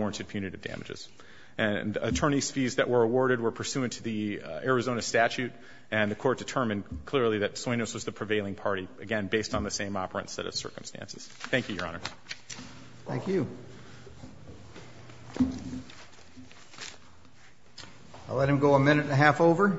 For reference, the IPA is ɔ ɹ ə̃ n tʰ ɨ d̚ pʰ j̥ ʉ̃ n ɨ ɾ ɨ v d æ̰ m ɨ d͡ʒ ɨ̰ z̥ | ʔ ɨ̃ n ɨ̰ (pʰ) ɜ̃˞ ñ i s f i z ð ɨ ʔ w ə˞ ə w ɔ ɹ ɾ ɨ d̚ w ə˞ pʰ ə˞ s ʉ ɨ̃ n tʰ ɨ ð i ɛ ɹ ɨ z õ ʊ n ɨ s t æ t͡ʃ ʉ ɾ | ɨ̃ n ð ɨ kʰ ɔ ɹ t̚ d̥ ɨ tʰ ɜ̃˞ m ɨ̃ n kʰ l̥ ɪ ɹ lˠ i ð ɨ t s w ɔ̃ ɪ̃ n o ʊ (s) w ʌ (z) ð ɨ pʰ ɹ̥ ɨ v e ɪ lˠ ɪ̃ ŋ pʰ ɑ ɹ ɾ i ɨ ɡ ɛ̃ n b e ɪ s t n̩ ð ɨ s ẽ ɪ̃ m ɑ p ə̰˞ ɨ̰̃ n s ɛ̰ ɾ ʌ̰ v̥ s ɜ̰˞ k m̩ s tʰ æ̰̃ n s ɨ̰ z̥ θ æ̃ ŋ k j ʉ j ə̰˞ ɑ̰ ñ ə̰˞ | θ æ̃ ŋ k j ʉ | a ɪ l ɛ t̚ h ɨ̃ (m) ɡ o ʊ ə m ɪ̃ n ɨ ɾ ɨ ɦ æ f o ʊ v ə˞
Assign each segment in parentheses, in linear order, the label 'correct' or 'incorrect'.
incorrect: tʰ, correct, correct, correct

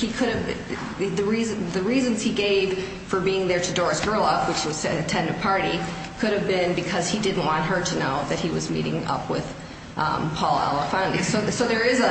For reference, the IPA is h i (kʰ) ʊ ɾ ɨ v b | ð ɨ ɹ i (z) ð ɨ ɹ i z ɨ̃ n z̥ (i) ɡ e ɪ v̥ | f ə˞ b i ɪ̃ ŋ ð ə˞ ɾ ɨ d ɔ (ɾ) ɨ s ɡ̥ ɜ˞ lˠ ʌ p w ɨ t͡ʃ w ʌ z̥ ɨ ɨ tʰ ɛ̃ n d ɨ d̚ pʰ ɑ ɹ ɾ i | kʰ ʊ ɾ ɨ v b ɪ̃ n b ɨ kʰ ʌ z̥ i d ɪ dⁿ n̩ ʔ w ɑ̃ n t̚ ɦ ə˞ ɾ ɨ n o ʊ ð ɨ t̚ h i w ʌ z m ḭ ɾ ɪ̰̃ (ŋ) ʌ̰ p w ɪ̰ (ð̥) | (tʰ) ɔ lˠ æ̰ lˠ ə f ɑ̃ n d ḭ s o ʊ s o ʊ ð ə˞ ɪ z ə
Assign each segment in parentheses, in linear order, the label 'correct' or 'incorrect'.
correct, correct, correct, incorrect: ɹ, correct, correct, incorrect: pʰ

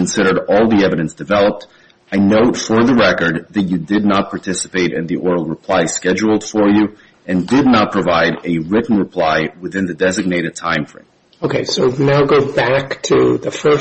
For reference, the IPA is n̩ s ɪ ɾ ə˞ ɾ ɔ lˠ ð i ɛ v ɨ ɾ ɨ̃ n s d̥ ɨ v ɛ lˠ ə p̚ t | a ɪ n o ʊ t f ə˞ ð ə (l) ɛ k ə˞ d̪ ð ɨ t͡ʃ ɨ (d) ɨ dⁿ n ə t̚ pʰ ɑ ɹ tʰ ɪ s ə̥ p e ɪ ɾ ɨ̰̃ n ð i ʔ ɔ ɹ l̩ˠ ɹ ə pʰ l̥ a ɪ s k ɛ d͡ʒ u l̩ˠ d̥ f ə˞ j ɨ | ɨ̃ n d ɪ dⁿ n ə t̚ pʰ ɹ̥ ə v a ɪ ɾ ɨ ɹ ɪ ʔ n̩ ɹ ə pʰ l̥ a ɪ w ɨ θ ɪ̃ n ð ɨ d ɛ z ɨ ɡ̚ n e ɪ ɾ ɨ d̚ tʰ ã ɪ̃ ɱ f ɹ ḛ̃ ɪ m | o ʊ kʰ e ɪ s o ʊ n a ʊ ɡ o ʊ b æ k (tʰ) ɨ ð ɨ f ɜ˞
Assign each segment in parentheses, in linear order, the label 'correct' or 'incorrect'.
incorrect: ɹ, correct, correct

